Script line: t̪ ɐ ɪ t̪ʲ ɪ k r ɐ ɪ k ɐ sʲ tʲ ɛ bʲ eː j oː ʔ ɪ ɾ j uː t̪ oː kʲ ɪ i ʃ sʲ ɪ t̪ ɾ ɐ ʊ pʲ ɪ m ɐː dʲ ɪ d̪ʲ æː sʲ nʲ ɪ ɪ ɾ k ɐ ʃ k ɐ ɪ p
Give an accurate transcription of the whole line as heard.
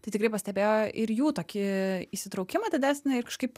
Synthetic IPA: t̪ ɐ ɪ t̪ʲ ɪ k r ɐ ɪ p ɐ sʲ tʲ ɛ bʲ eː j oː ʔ ɪ ɾ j uː t̪ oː kʲ ɪ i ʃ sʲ ɪ t̪ ɾ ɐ ʊ kʲ ɪ m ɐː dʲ ɪ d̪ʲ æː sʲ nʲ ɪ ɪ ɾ k ɐ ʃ k ɐ ɪ p

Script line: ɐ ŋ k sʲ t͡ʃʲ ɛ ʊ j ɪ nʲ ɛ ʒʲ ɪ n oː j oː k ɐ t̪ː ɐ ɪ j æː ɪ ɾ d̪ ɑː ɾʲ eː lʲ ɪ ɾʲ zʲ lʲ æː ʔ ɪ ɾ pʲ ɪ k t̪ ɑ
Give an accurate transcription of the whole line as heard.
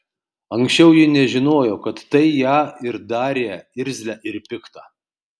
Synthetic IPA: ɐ ŋ k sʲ t͡ʃʲ ɛ ʊ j ɪ nʲ ɛ ʒʲ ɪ n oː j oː k ɐ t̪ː ɐ ɪ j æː ɪ ɾ d̪ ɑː ɾʲ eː ɪ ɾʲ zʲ lʲ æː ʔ ɪ ɾ pʲ ɪ k t̪ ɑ

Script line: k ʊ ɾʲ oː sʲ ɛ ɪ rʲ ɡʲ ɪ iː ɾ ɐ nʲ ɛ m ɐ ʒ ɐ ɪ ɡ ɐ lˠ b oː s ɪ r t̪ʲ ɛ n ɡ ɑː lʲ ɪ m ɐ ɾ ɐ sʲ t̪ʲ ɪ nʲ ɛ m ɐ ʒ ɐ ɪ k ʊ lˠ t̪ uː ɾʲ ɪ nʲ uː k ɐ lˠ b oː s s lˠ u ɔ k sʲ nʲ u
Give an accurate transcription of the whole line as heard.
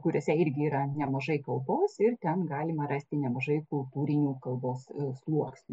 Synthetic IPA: k ʊ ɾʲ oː sʲ ɛ ɪ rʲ ɡʲ ɪ iː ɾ ɐ nʲ ɛ m ɐ ʒ ɐ ɪ k ɐ lˠ b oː s ɪ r t̪ʲ ɛ n ɡ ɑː lʲ ɪ m ɐ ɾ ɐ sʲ t̪ʲ ɪ nʲ ɛ m ɐ ʒ ɐ ɪ k ʊ lˠ t̪ uː ɾʲ ɪ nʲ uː k ɐ lˠ b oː s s lˠ u ɔ k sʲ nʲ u

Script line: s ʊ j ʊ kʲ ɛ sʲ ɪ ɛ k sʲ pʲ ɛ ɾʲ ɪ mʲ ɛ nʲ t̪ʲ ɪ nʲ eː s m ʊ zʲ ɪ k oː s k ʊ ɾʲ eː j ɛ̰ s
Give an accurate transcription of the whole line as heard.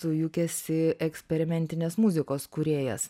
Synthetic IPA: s ʊ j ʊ kʲ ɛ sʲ ɪ ɛ k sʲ pʲ ɛ ɾʲ ɪ mʲ ɛ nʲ t̪ʲ ɪ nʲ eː s m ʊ zʲ ɪ k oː s k ʊ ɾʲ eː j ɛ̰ s

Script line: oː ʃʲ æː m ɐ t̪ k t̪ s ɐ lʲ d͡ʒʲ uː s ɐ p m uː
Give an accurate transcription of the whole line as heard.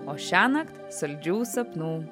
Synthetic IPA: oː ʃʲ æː n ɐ k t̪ s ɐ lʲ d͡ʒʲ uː s ɐ p n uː

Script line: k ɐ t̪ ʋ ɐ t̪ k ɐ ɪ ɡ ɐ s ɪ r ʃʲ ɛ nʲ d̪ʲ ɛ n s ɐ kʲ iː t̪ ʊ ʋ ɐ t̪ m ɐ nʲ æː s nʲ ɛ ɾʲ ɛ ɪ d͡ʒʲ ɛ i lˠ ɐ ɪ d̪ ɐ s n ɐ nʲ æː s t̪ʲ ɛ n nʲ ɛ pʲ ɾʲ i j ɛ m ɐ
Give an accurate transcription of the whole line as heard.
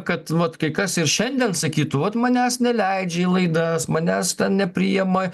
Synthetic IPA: k ɐ t̪ ʋ ɐ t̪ k ɐ ɪ k ɐ s ɪ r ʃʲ ɛ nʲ d̪ʲ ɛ n s ɐ kʲ iː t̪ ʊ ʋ ɐ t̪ m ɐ nʲ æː s nʲ ɛ lʲ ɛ ɪ d͡ʒʲ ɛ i lˠ ɐ ɪ d̪ ɐ s m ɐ nʲ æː s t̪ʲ ɛ n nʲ ɛ pʲ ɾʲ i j ɛ m ɐ

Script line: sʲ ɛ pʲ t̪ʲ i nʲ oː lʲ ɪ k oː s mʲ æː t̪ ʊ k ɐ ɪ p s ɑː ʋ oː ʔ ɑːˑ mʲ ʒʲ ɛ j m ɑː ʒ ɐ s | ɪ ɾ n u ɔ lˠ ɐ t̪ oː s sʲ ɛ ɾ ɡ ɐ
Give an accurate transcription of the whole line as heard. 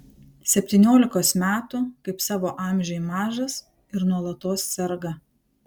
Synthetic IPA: sʲ ɛ pʲ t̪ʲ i nʲ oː lʲ ɪ k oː s mʲ æː t̪ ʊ k ɐ ɪ p s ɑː ʋ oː ʔ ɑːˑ mʲ ʒʲ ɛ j m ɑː ʒ ɐ s | ɪ ɾ n u ɔ lˠ ɐ t̪ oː s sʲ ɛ ɾ ɡ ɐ

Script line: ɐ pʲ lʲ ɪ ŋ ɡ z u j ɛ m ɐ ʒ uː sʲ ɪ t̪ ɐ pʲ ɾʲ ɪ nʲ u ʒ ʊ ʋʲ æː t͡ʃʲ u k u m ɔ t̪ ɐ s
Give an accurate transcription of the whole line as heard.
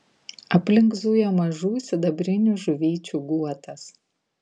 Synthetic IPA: ɐ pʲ lʲ ɪ ŋ ɡ z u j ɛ m ɐ ʒ uː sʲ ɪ d̪ ɐ bʲ ɾʲ ɪ nʲ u ʒ ʊ ʋʲ iː t͡ʃʲ u ɡ u ɔ t̪ ɐ s

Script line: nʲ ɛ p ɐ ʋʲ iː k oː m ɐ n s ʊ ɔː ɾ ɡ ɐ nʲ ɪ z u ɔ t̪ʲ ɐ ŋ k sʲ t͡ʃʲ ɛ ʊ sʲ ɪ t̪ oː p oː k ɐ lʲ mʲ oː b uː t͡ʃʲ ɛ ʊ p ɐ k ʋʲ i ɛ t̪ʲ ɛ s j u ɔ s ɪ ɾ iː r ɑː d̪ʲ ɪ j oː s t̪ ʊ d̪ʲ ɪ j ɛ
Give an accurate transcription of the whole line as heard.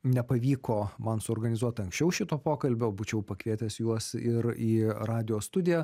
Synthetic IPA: nʲ ɛ p ɐ ʋʲ iː k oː m ɐ n s ʊ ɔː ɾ ɡ ɐ nʲ ɪ z u ɔ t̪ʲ ɐ ŋ k sʲ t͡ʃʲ ɛ ʊ ʃʲ ɪ t̪ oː p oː k ɐ lʲ bʲ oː b uː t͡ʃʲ ɛ ʊ p ɐ k ʋʲ i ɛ t̪ʲ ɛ s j u ɔ s ɪ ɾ iː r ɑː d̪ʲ ɪ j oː s t̪ ʊ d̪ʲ ɪ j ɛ

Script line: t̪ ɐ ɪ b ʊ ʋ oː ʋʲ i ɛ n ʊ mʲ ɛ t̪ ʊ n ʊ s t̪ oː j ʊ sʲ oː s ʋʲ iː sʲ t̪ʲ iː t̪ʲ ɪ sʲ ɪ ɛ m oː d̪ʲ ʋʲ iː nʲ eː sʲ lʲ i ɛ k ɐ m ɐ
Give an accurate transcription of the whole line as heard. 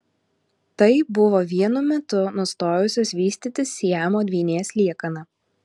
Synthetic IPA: t̪ ɐ ɪ b ʊ ʋ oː ʋʲ i ɛ n ʊ mʲ ɛ t̪ ʊ n ʊ s t̪ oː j ʊ sʲ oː s ʋʲ iː sʲ t̪ʲ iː t̪ʲ ɪ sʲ i ɛ m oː d̪ʲ ʋʲ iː nʲ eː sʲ lʲ i ɛ k ɐ n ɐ

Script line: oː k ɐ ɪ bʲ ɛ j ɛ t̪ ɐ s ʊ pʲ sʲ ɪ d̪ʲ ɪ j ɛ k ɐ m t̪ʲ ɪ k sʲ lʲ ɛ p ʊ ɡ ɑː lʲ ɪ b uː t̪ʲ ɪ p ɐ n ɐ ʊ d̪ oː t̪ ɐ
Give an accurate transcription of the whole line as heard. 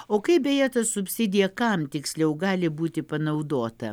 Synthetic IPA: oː k ɐ ɪ bʲ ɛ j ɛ t̪ ɐ s ʊ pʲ sʲ ɪ d̪ʲ ɪ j ɛ k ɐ m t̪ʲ ɪ k sʲ lʲ ɛ ʊ ɡ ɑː lʲ ɪ b uː t̪ʲ ɪ p ɐ n ɐ ʊ d̪ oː t̪ ɐ

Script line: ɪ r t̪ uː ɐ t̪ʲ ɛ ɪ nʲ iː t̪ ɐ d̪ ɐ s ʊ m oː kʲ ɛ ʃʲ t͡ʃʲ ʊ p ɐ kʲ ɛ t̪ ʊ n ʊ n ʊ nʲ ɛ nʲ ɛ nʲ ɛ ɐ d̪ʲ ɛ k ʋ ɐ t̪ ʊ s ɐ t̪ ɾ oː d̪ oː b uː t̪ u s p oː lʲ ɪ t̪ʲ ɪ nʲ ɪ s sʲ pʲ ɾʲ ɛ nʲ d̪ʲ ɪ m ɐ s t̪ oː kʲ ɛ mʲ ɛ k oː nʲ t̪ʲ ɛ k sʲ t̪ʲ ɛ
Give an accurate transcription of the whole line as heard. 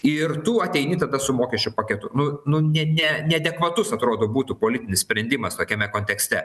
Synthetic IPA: ɪ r t̪ uː ɐ t̪ʲ ɛ ɪ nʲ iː t̪ ɐ d̪ ɐ s ʊ m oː kʲ ɛ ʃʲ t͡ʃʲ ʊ p ɐ kʲ ɛ t̪ ʊ n ʊ n ʊ nʲ ɛ nʲ ɛ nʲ ɛ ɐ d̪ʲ ɛ k ʋ ɐ t̪ ʊ s ɐ t̪ ɾ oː d̪ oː b uː t̪ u p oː lʲ ɪ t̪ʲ ɪ nʲ ɪ s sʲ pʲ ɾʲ ɛ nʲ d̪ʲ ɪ m ɐ s t̪ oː kʲ ɛ mʲ ɛ k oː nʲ t̪ʲ ɛ k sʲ t̪ʲ ɛ

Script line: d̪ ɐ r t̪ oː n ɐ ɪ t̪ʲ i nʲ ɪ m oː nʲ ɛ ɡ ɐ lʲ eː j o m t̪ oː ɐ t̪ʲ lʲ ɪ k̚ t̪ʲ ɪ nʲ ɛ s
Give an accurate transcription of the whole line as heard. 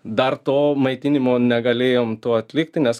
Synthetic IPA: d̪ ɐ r t̪ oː m ɐ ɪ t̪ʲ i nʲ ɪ m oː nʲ ɛ ɡ ɐ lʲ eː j o m t̪ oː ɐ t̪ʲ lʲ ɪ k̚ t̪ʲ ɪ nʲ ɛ s

